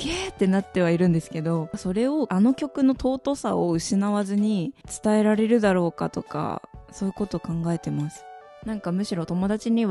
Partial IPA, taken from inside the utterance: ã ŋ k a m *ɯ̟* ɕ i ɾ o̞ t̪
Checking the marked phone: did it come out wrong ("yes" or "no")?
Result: no